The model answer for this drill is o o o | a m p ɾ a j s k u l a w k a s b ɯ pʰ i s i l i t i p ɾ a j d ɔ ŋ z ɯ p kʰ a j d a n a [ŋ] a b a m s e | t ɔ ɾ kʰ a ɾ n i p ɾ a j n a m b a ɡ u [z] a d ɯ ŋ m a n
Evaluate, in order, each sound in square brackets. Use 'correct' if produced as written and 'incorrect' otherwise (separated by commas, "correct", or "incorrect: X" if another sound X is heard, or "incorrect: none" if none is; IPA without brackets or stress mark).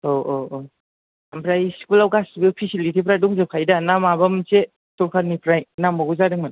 incorrect: m, correct